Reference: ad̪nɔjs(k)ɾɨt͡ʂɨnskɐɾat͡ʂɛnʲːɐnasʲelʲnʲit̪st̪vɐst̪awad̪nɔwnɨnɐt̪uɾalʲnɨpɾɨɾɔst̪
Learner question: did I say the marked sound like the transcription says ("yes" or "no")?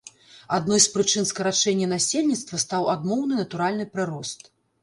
no